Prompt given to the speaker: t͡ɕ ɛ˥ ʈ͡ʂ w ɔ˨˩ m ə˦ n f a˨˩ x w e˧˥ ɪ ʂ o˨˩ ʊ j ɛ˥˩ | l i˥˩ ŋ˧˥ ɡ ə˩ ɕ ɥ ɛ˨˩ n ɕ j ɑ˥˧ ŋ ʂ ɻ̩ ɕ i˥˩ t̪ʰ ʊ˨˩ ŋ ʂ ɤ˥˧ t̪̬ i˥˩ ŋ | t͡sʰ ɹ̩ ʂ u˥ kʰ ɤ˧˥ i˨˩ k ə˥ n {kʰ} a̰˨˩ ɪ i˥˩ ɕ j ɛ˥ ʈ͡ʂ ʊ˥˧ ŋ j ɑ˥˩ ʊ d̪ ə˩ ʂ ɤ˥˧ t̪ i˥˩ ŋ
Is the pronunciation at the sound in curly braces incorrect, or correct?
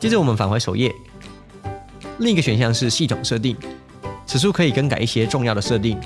incorrect: k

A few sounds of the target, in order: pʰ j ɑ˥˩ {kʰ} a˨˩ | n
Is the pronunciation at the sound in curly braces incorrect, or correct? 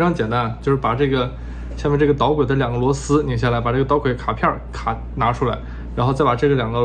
correct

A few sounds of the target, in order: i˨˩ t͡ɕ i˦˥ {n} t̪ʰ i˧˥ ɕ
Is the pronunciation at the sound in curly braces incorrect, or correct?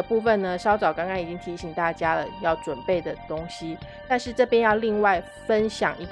incorrect: ŋ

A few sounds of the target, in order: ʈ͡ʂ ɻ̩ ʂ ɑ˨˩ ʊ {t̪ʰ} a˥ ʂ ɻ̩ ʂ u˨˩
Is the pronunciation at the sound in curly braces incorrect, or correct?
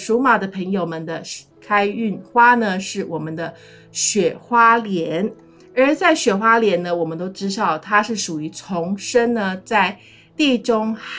correct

